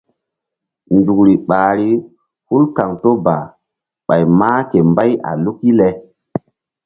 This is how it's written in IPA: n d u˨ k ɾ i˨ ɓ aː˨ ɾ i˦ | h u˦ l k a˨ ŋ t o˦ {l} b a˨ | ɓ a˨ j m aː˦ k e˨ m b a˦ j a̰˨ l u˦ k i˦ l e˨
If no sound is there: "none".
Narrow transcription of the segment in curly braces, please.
none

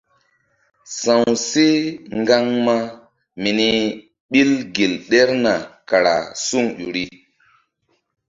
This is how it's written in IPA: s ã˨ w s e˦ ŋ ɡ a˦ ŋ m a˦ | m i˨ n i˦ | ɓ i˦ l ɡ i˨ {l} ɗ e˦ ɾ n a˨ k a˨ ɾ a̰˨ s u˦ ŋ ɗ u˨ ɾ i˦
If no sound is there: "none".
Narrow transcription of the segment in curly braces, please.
l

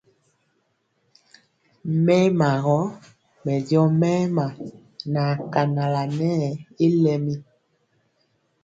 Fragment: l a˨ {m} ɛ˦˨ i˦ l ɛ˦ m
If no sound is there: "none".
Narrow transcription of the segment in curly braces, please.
n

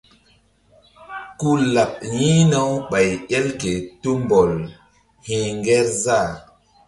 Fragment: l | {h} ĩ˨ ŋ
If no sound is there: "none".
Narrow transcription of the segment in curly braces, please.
h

